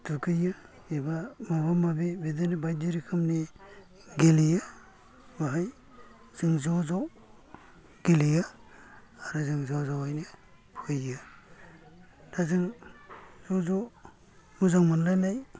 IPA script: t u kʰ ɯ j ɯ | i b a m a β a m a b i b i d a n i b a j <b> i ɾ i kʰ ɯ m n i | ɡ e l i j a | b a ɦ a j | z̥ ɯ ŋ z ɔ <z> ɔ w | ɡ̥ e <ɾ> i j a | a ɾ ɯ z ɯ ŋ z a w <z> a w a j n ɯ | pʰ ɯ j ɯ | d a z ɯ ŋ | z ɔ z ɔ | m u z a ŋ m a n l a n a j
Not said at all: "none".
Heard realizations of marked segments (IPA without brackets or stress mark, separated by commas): d, z, l, z